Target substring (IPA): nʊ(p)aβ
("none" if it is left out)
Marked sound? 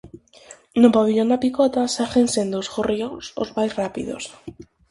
p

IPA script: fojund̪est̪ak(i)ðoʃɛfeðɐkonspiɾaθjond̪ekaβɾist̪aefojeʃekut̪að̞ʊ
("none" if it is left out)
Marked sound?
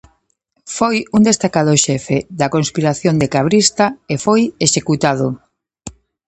a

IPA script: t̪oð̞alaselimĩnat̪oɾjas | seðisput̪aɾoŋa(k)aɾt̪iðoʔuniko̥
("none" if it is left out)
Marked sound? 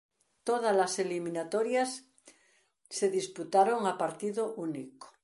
p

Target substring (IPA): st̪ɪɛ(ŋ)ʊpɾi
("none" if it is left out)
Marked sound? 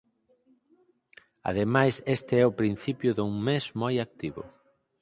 none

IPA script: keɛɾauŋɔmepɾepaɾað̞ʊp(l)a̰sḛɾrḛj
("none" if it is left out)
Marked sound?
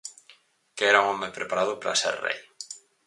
ɾ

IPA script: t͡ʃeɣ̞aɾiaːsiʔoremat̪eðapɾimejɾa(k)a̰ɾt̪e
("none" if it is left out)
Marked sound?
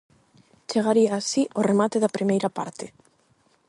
p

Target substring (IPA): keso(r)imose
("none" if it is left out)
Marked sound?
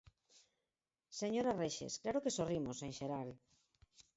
r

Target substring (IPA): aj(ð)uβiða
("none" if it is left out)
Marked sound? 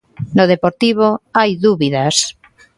ð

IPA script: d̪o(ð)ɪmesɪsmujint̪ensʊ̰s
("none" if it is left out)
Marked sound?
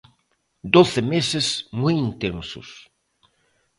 θ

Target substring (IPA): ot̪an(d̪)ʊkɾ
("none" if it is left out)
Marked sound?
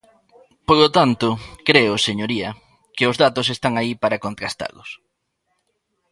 t̪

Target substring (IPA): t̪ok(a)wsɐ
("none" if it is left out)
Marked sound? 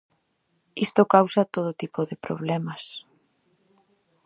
a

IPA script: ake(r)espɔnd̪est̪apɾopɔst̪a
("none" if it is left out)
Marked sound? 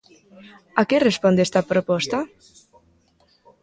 r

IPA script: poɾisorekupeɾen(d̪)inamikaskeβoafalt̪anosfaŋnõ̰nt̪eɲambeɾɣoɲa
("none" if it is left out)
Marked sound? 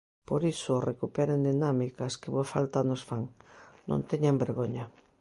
d̪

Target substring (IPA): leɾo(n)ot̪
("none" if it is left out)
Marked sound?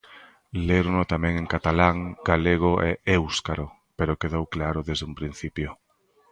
n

